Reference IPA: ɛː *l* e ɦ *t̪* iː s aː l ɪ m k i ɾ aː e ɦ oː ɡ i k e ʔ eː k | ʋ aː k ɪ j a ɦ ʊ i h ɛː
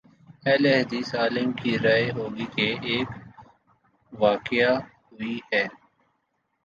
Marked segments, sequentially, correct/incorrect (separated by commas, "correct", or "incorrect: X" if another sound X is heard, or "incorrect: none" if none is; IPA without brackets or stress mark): correct, incorrect: d̪